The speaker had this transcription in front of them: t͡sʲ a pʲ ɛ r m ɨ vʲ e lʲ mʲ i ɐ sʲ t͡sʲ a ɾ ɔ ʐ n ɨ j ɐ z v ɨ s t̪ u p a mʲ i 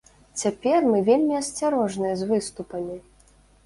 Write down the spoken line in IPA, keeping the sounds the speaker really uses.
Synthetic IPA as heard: t͡sʲ a pʲ ɛ r m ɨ vʲ e lʲ mʲ i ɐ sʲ t͡sʲ a ɾ ɔ ʐ n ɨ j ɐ z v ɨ s t̪ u p ɐ mʲ i

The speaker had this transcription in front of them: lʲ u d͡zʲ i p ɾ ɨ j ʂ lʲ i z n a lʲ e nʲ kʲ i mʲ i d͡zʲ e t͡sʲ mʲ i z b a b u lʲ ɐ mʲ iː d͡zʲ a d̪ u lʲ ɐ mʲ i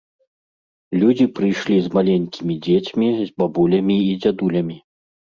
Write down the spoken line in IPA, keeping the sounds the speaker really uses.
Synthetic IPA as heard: lʲ u d͡zʲ i p ɾ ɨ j ʂ lʲ i z m a lʲ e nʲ kʲ i mʲ i d͡zʲ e t͡sʲ mʲ i z b a b u lʲ ɐ mʲ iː d͡zʲ a d̪ u lʲ ɐ mʲ i

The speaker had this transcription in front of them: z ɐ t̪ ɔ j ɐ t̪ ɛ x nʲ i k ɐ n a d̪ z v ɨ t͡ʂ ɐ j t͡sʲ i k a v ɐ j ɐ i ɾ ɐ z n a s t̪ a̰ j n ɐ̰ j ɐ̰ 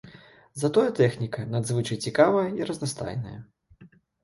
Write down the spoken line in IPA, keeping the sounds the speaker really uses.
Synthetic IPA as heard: z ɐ t̪ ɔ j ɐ t̪ ɛ x nʲ i k ɐ n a d̪ z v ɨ t͡ʂ ɐ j t͡sʲ i k a v ɐ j ɐ i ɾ ɐ z n a s t̪ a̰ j n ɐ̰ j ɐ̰

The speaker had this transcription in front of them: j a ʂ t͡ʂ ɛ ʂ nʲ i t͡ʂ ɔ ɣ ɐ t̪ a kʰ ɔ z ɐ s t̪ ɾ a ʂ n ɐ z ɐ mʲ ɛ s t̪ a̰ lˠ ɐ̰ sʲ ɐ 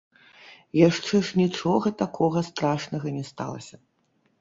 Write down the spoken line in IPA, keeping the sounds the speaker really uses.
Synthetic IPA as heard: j a ʂ t͡ʂ ɛ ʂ nʲ i t͡ʂ ɔ ɣ ɐ t̪ a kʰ ɔ ɣ ɐ s t̪ ɾ a ʂ n ɐ ɣ ɐ nʲ ɛ s t̪ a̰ lˠ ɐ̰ sʲ ɐ

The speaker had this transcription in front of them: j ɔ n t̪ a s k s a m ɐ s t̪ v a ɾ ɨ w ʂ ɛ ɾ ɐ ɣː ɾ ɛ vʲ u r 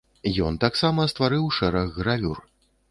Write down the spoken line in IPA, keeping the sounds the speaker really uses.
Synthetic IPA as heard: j ɔ n t̪ a k s a m ɐ s t̪ v a ɾ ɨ w ʂ ɛ ɾ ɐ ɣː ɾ a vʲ u r

